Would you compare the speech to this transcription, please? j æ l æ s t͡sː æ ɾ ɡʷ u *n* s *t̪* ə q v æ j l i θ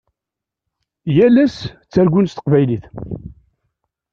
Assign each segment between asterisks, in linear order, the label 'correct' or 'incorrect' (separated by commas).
correct, correct